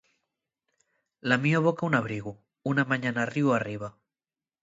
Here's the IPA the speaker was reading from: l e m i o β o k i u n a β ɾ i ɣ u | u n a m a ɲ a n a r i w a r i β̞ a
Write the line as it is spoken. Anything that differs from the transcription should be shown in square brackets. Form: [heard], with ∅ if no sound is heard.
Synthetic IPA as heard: l [a] m i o β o k [a] u n a β ɾ i ɣ u | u n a m a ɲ a n a r i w a r i β̞ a